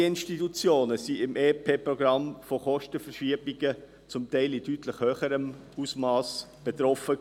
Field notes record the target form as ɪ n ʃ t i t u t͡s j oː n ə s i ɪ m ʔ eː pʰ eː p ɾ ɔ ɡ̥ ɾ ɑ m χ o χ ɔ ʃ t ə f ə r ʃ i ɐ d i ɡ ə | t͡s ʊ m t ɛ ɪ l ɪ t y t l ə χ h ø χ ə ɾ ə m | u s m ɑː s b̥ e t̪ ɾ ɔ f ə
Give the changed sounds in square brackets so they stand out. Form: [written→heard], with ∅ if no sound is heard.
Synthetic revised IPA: ɪ n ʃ t i t u t͡s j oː n ə s i ɪ m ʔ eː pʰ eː p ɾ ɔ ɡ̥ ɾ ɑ m [χ→f] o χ ɔ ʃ t ə f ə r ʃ i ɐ [d→b] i ɡ ə | t͡s ʊ m t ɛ ɪ l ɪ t y t l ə χ h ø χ ə ɾ ə m | u s m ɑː s b̥ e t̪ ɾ ɔ f ə

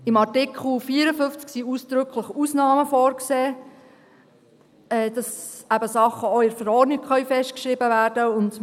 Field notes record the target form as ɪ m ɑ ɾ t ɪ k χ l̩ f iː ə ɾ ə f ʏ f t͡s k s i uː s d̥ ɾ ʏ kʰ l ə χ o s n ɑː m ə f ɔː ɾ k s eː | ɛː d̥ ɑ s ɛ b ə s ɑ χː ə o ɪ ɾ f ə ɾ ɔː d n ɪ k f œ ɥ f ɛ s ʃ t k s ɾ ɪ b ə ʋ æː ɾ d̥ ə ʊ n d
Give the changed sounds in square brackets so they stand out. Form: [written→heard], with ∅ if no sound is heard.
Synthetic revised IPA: ɪ m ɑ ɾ t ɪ k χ l̩ f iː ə ɾ ə f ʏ f t͡s k s i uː s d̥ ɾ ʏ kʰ l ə χ [o→u] s n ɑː m ə f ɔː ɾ k s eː | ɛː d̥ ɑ s [ɛ→æ] b ə s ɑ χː ə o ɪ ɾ f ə ɾ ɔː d n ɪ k [f→χ] œ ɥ f ɛ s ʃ t k [s→ʃ] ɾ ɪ b ə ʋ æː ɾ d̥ ə ʊ n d

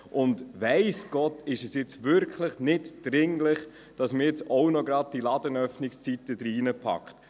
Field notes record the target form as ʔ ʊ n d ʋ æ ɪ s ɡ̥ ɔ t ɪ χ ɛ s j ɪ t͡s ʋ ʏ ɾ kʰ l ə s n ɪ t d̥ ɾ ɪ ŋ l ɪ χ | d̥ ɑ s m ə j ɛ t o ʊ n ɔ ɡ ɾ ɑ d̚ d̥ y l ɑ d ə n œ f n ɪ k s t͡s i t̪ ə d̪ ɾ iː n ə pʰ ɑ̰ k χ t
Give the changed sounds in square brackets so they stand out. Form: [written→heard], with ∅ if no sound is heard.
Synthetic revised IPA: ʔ ʊ n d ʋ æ ɪ s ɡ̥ ɔ t ɪ [χ→ʃ] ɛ s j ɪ t͡s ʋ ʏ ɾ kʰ l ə [s→χ] n ɪ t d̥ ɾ ɪ ŋ l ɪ χ | d̥ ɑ s m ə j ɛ [t→t͡s] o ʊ n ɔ ɡ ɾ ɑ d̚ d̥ [y→i] l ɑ d ə n œ f n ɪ k s t͡s i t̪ ə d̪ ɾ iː n ə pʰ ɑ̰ k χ t

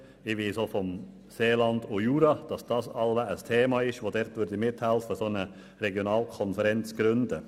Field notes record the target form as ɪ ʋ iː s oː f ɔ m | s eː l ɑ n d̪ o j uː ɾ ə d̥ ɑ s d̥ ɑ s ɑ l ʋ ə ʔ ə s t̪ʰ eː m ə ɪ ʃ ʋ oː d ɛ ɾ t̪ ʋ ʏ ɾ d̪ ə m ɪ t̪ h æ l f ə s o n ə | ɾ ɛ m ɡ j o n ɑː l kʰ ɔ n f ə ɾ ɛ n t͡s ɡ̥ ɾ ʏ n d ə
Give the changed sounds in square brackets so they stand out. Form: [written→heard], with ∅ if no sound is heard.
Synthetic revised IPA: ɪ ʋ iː s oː f ɔ m | s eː l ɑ n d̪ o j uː ɾ [ə→ɑ] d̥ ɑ s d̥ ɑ s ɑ l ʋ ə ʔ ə s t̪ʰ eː m [ə→ɑ] ɪ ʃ ʋ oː d ɛ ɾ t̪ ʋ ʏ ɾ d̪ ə m ɪ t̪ h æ l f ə s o n ə | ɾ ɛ [m→∅] ɡ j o n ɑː l kʰ ɔ n f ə ɾ ɛ n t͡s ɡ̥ ɾ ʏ n d ə

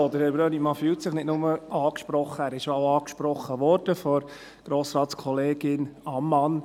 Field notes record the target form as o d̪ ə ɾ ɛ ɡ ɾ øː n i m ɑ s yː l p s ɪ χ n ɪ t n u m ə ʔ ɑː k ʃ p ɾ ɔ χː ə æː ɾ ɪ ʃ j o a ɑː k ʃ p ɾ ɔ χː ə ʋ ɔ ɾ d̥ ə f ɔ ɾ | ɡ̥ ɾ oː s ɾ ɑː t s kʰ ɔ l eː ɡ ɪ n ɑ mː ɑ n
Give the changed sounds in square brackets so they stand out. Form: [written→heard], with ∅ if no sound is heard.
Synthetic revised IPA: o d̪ ə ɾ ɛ [ɡ→b] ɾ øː n i m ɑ [s→f] yː l [p→t] s ɪ χ n ɪ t n [u→ʊ] m ə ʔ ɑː k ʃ p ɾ ɔ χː ə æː ɾ ɪ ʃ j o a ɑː k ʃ p ɾ ɔ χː ə ʋ ɔ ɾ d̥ ə f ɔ ɾ | ɡ̥ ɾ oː s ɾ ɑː t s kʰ ɔ l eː ɡ ɪ n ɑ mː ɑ n

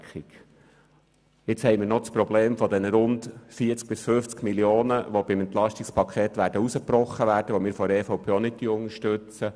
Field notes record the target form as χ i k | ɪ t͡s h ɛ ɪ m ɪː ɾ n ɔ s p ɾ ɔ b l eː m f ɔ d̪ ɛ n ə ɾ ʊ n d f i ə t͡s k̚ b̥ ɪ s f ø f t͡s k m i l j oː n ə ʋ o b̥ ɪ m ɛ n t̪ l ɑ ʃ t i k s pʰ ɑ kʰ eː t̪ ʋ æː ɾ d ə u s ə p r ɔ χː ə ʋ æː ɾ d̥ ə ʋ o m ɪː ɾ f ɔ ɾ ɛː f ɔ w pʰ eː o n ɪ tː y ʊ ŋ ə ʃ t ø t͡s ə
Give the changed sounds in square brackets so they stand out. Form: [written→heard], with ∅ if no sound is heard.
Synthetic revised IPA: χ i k | ɪ t͡s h ɛ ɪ m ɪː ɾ n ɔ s p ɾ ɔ b l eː m f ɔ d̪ ɛ n ə ɾ ʊ n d f i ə t͡s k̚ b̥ ɪ s f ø f t͡s k m i l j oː n ə ʋ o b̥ ɪ m ɛ n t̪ l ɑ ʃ t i k s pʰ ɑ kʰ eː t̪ ʋ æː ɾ d ə u s ə p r ɔ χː ə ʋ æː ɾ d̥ ə ʋ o m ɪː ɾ f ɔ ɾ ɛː f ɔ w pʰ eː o n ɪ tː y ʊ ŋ ə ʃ t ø t͡s ə

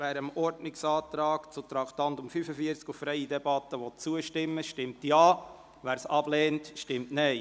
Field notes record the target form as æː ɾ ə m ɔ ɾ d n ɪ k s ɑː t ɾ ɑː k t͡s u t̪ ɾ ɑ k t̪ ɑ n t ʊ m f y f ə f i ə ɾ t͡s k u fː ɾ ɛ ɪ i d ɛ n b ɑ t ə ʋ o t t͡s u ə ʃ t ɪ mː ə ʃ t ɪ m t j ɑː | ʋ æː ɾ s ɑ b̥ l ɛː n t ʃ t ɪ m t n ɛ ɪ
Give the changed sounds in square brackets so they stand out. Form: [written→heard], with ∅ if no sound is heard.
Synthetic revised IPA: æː ɾ ə m ɔ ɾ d n ɪ k s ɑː t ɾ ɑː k t͡s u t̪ ɾ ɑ k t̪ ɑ n t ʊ m f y f ə f i ə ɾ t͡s k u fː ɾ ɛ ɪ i d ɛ [n→∅] b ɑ t ə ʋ [o→ɔ] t t͡s u ə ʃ t ɪ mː ə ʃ t ɪ m t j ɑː | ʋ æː ɾ s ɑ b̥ l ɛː n t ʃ t ɪ m t n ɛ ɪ

